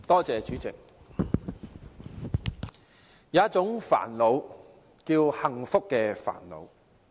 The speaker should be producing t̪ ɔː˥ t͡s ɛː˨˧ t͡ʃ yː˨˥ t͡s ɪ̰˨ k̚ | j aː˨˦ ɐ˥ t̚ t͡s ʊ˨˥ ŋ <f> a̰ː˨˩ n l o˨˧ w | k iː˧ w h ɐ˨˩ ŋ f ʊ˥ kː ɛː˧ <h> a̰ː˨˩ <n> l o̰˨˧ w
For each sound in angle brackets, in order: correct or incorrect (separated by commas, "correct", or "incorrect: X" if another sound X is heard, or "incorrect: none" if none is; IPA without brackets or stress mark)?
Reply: correct, incorrect: f, correct